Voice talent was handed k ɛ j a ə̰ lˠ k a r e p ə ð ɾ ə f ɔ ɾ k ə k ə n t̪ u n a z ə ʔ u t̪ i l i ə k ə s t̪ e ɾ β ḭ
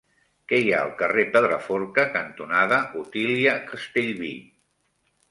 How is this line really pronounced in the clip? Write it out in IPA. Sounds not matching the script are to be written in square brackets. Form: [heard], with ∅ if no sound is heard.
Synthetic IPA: k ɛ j a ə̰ lˠ k [ə] r e p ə ð ɾ ə f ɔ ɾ k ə k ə n t̪ u n a [ð] ə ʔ u t̪ i l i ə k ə s t̪ e [ʎ] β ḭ